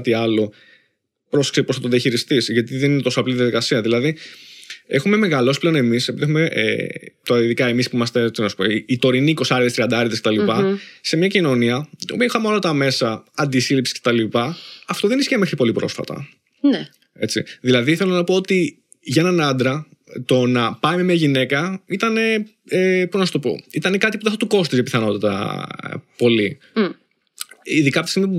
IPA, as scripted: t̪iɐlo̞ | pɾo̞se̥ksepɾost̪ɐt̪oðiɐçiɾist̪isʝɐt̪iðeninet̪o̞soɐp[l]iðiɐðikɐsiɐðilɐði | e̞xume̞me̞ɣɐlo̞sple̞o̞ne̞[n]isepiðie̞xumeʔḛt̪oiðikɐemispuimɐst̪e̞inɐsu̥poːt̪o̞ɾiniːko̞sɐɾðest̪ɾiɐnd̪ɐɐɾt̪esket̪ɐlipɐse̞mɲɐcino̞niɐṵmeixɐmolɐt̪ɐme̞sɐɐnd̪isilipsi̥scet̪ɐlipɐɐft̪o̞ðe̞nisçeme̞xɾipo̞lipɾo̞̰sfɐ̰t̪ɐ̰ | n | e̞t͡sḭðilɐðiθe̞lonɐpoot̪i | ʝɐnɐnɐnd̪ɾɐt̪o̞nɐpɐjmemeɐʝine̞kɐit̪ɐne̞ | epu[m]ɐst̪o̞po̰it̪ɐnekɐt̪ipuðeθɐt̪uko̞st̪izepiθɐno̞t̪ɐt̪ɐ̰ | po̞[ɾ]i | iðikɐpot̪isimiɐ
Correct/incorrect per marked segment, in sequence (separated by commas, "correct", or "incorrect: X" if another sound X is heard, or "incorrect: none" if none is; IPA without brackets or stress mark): correct, incorrect: m, incorrect: n, incorrect: l